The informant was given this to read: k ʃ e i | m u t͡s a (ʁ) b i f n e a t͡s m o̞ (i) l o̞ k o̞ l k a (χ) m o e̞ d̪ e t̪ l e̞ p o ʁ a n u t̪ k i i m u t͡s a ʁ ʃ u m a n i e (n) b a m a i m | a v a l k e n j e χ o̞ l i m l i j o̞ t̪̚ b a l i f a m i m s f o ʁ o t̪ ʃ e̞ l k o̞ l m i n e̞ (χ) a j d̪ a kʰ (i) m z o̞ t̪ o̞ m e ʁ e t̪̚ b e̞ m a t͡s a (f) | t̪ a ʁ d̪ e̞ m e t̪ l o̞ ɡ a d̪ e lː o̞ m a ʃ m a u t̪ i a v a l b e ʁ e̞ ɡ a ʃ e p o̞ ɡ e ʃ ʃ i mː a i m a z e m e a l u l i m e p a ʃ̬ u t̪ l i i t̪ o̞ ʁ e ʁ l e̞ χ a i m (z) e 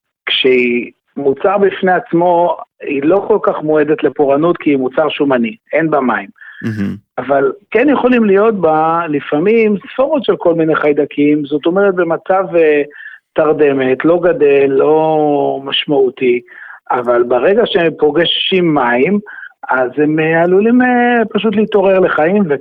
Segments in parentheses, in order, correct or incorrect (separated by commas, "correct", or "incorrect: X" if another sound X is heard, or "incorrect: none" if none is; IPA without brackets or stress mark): correct, correct, correct, correct, correct, correct, incorrect: v, incorrect: v